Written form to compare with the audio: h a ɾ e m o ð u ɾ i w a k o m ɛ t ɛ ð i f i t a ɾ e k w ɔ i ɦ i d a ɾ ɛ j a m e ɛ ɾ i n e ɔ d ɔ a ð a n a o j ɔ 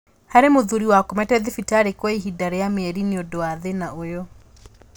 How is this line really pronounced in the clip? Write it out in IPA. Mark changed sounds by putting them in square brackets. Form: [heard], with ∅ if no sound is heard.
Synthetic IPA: h a ɾ e m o ð u ɾ i w a k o m ɛ t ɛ ð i f i t a ɾ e k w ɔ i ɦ i d a ɾ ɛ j a m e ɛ ɾ i n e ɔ d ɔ a ð [e] n a o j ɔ

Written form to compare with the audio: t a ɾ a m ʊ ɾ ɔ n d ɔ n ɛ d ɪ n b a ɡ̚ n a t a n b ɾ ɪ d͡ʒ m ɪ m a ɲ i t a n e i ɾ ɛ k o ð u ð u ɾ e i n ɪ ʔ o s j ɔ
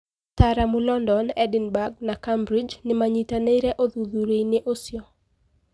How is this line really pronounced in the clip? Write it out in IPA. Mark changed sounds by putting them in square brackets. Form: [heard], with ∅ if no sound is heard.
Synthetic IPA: t a ɾ a m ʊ [l] ɔ n d ɔ n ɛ d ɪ n b a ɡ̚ n a [k] a [m] b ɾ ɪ d͡ʒ [n] ɪ m a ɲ i t a n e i ɾ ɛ [ʔ] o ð u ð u ɾ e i n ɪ ʔ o s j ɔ

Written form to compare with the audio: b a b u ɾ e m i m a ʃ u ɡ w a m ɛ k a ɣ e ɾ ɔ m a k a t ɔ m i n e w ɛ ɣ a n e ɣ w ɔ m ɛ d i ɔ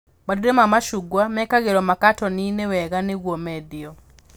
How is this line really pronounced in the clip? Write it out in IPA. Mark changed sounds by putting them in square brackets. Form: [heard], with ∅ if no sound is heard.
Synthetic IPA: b a [d] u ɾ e m [a] m a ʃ u ɡ w a m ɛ k a ɣ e ɾ ɔ m a k a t ɔ [n] i n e w ɛ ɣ a n e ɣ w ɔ m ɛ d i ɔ

